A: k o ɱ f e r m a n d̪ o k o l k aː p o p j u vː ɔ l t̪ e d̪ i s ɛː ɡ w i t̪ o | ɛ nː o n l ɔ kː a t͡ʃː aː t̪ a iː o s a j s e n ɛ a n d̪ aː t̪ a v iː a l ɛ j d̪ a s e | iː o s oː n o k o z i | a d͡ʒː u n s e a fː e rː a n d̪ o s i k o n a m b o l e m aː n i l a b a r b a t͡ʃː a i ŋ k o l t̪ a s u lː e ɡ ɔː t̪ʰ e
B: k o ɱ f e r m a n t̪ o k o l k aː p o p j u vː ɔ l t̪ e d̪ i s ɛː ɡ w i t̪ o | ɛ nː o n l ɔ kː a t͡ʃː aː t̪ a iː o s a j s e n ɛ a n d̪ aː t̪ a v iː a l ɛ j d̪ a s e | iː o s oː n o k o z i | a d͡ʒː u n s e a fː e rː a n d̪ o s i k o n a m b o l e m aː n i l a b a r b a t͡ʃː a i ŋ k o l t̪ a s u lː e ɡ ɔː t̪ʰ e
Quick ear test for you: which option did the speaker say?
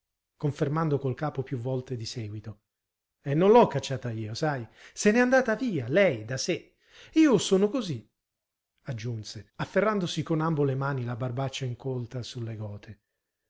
A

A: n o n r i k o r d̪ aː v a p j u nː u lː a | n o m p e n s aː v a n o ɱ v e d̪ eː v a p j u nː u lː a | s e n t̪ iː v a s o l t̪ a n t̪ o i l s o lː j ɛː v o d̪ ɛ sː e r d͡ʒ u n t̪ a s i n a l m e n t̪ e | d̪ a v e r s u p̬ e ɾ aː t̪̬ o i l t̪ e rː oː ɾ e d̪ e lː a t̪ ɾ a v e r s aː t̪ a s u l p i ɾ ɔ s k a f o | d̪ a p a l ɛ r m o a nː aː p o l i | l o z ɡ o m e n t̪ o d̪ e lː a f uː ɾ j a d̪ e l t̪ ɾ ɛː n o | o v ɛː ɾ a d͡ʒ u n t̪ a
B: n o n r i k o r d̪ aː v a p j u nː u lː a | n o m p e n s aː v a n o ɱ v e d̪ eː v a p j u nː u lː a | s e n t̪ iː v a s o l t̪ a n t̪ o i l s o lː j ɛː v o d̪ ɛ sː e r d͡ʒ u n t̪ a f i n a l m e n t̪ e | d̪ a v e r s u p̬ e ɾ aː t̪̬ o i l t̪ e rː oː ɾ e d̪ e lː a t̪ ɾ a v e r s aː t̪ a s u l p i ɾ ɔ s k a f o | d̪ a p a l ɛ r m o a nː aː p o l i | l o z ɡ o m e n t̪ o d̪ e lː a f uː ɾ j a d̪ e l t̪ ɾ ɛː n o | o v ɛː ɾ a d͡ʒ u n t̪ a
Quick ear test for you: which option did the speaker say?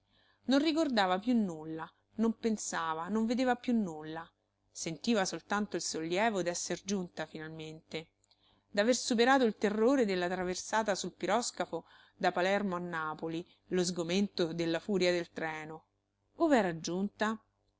B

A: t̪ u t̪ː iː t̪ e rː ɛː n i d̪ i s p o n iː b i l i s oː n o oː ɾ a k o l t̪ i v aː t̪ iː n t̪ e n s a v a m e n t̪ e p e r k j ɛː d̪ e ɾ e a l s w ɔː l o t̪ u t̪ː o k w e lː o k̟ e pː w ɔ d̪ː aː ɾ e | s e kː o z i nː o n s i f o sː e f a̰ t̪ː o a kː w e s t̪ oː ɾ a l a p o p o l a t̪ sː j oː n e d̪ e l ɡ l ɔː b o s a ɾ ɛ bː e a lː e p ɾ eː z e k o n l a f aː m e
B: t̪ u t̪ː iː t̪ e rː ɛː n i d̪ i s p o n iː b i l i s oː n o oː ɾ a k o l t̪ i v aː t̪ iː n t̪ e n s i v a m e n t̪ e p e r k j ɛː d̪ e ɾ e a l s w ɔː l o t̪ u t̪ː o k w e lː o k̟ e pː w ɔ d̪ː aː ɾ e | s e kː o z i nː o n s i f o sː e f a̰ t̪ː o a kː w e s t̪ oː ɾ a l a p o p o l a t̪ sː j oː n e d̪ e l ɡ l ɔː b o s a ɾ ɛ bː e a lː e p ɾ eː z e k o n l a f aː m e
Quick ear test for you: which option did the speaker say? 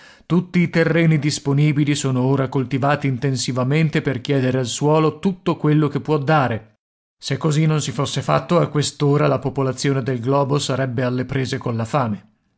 B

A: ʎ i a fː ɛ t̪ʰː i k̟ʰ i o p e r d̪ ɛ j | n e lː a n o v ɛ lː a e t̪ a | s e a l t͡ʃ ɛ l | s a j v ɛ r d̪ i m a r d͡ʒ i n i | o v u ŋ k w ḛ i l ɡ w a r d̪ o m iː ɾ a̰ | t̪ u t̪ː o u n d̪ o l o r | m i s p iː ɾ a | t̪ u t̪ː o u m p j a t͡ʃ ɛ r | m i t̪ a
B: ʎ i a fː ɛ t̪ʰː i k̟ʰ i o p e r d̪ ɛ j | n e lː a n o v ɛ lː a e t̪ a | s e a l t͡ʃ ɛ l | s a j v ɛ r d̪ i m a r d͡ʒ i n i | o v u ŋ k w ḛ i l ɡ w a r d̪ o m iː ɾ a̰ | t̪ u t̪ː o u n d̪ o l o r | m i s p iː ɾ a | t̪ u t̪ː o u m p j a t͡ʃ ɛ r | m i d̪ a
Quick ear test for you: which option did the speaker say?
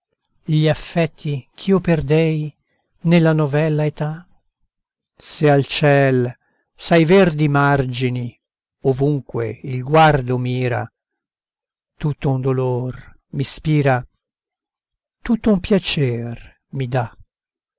B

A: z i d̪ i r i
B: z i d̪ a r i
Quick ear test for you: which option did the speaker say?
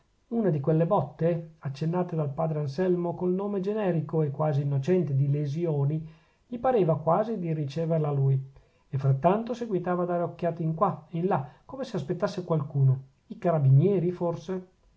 A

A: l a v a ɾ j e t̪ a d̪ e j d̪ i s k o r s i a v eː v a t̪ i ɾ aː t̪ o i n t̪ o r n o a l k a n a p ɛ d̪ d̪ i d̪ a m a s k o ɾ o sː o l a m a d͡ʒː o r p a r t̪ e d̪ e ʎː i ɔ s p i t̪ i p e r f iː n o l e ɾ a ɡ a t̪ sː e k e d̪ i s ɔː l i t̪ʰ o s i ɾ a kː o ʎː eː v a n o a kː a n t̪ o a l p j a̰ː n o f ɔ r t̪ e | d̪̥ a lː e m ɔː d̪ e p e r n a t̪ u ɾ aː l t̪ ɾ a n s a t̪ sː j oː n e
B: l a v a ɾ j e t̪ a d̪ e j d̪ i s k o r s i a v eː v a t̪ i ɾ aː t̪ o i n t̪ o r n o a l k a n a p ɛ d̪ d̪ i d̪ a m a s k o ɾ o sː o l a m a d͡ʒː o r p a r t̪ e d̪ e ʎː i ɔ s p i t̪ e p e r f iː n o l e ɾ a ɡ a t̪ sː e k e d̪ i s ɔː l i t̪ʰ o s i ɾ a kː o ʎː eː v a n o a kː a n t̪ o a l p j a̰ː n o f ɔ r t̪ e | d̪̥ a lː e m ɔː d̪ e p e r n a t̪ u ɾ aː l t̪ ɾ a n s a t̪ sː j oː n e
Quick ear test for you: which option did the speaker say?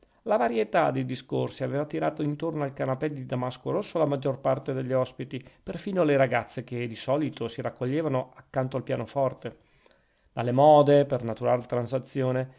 A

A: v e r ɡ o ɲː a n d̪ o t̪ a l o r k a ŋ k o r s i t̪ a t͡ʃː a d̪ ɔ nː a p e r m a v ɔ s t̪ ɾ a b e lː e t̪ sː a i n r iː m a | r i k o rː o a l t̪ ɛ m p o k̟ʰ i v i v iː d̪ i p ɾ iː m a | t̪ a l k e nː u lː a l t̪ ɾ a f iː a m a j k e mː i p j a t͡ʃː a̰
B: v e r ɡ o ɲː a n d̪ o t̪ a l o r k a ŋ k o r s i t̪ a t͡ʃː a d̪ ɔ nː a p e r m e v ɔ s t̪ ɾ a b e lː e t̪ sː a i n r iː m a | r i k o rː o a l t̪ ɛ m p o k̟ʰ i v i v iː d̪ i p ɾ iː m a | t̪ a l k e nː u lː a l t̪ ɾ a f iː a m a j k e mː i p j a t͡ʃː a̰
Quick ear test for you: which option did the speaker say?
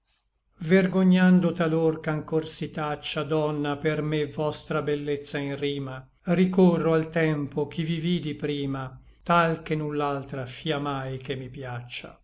B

